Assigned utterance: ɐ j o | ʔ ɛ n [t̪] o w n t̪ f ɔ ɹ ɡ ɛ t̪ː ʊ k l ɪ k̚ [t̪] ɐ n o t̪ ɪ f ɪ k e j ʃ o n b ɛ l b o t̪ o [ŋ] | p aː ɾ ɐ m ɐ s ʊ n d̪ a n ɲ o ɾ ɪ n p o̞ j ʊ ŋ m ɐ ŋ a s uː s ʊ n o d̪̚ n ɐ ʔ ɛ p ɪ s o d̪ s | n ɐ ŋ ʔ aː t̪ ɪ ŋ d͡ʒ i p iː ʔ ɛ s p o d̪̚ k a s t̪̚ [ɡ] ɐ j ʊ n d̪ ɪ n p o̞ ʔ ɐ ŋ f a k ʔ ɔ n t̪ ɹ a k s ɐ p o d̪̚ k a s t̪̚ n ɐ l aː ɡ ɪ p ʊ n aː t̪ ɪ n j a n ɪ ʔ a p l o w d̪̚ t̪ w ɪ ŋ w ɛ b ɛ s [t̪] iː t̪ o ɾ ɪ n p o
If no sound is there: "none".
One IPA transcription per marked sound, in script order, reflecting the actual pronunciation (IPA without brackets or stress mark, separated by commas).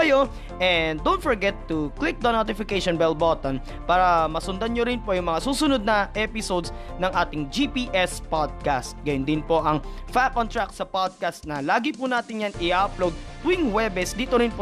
d̪, d̪, n, ɡ, d̪